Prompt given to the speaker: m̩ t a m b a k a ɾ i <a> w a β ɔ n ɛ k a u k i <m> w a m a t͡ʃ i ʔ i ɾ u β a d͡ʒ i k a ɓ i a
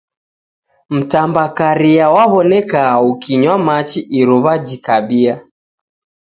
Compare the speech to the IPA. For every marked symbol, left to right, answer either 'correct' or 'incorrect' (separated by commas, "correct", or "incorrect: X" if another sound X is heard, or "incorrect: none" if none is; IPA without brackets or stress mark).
correct, incorrect: ɲ